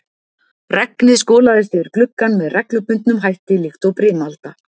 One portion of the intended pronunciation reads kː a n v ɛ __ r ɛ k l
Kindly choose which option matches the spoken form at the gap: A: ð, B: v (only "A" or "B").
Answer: A